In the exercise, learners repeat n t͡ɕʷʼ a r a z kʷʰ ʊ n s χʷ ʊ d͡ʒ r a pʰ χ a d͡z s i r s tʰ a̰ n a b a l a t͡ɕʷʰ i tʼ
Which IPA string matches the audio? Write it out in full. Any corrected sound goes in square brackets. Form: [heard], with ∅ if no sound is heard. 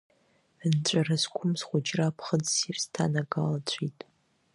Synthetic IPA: n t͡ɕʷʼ a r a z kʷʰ ʊ [m] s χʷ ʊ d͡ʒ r a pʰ χ [ə] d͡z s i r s tʰ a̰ n a [ɡ] a l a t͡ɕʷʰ i tʼ